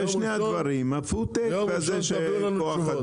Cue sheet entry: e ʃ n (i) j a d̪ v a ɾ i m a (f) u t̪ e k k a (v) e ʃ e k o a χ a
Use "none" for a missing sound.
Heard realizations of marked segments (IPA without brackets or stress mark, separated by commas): e, f, z